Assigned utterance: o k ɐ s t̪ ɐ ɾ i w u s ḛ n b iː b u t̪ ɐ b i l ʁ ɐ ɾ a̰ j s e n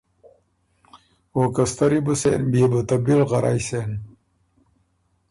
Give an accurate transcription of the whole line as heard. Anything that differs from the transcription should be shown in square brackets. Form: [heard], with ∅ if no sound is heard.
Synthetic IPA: o k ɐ s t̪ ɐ ɾ i [b] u s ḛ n b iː b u t̪ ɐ b i l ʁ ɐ ɾ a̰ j s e n